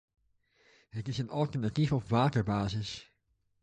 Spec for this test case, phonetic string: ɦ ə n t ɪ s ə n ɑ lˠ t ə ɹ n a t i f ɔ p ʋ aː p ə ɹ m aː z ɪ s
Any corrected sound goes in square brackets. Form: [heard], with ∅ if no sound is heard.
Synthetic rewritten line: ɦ ə [∅] t ɪ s ə n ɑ lˠ t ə ɹ n a t i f ɔ p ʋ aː [t] ə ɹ [b] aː z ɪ s